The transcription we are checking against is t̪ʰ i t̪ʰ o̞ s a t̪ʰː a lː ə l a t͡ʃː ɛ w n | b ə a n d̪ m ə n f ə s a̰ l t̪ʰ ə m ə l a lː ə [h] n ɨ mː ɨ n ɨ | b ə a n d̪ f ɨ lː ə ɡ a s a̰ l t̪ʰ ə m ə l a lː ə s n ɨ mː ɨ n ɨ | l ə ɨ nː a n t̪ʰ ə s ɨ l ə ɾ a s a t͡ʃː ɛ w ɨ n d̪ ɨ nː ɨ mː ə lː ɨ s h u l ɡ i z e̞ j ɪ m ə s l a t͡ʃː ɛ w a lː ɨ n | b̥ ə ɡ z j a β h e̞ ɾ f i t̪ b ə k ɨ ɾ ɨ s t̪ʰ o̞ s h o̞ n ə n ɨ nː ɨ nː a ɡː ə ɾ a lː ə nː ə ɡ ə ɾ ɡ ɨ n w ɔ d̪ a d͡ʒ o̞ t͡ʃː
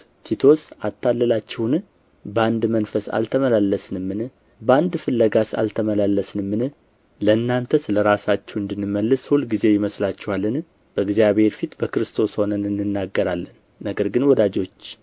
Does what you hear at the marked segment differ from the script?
yes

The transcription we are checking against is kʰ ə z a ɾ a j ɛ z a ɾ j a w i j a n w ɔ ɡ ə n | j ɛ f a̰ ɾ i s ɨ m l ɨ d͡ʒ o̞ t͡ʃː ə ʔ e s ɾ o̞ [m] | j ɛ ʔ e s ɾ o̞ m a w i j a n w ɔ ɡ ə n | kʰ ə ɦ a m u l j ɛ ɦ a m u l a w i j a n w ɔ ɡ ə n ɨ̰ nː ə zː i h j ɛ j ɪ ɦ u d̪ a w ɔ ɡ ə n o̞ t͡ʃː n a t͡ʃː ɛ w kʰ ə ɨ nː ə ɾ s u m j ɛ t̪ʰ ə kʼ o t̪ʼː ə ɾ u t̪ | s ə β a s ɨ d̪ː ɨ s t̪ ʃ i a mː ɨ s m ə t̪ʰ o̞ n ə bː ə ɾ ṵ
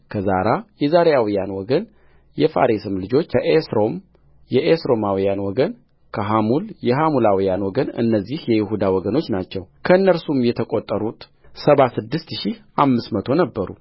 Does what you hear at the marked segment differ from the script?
no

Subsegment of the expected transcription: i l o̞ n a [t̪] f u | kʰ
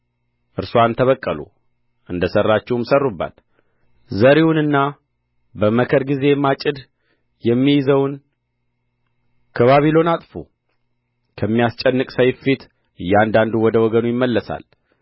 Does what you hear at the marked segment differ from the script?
yes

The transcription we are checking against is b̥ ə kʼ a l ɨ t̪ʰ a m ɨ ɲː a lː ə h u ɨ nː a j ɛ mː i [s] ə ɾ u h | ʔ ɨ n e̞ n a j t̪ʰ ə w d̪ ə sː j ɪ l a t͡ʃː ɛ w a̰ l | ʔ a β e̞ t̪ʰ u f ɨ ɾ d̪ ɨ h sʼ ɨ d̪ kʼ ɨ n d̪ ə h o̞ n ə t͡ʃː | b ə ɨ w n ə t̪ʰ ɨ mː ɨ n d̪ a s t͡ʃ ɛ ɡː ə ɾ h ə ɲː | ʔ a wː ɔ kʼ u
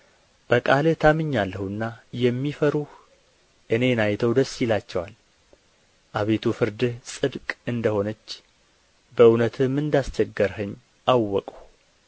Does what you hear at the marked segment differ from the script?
yes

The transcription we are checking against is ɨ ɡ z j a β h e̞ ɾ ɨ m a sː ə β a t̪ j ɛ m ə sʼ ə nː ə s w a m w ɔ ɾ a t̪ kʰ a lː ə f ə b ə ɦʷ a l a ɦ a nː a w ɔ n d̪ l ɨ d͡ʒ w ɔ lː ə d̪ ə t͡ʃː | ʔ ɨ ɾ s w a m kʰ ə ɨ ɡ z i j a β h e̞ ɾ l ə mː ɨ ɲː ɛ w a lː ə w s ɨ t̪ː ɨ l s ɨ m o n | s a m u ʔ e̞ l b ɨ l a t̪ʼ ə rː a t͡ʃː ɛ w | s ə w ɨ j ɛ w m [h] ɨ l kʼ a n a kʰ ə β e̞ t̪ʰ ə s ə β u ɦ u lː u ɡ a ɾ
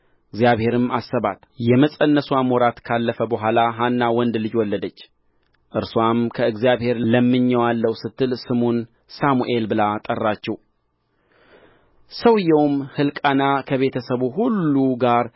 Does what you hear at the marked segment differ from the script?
no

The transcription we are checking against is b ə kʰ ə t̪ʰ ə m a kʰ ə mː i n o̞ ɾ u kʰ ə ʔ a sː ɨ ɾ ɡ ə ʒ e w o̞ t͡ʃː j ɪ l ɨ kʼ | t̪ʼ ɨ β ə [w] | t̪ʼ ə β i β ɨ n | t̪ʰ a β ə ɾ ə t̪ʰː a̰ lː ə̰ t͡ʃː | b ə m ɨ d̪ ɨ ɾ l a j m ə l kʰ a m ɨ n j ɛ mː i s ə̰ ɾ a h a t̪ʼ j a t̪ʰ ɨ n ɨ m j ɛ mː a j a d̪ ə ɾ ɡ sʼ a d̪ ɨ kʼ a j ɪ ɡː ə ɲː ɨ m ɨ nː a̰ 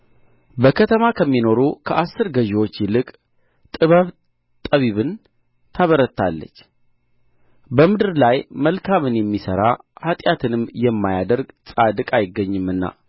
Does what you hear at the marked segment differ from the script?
yes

